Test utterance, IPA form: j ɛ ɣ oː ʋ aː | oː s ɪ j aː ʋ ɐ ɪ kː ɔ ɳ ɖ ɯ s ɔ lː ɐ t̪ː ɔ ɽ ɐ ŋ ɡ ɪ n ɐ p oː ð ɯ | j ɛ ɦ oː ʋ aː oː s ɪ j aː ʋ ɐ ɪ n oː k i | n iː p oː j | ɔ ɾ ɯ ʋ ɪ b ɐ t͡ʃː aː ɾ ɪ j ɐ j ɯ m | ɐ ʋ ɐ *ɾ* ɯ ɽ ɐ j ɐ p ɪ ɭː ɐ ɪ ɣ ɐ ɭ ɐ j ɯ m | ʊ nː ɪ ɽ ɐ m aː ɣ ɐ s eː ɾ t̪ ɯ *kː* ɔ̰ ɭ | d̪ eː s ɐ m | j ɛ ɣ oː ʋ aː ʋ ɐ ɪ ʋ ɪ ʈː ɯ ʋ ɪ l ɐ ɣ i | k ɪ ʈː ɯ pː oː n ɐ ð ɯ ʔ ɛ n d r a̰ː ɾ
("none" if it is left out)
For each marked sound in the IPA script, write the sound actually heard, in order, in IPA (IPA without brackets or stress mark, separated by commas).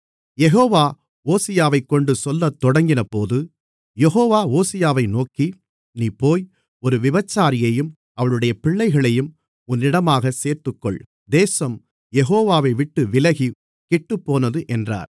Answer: ɭ, kː